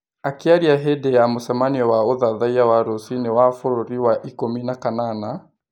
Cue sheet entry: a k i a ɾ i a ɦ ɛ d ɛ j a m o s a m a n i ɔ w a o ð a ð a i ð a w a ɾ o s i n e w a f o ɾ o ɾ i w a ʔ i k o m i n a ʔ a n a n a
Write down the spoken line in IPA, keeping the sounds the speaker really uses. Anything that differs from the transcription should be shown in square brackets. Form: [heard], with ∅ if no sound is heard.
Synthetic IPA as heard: a k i a ɾ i a ɦ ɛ d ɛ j a m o s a m a n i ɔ w a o ð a ð a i [∅] a w a ɾ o s i n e w a f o ɾ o ɾ i w a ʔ i k o m i n a [k] a n a n a